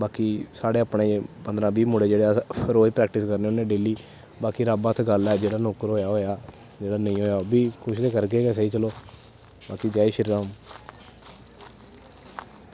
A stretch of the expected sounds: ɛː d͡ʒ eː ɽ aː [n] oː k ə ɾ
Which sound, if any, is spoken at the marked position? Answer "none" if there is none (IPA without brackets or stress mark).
n